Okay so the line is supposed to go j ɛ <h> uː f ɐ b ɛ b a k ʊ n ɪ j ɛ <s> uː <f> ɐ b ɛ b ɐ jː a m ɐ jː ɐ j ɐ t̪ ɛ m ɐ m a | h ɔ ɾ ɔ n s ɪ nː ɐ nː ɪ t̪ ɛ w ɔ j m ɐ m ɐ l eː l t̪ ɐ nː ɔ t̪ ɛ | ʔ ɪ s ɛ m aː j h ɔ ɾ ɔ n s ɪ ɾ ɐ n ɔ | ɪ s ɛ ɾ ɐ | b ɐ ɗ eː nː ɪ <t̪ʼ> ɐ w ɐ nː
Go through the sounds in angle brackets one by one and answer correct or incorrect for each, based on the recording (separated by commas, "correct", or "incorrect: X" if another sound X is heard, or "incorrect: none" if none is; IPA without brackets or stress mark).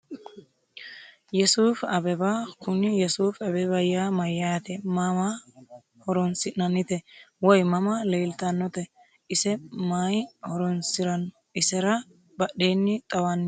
incorrect: s, correct, correct, correct